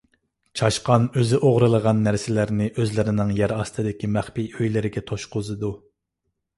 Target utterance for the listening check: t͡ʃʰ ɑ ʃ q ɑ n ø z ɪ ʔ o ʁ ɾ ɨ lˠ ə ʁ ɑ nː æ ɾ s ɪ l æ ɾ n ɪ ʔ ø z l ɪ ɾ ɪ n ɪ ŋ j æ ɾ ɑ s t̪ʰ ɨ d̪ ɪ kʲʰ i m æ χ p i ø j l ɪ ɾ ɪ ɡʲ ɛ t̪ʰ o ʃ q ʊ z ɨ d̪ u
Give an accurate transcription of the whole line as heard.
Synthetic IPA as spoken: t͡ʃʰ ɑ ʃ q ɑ n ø z ɪ ʔ o ʁ ɾ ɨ lˠ ə ʁ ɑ nː æ ɾ s ɪ l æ ɾ n ɪ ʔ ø z l ɪ ɾ ɪ n ɪ ŋ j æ ɾ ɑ s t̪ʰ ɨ d̪ ɪ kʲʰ i m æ χ p i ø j l ɪ ɾ ɪ ɡʲ ɛ t̪ʰ o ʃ q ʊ z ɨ d̪ u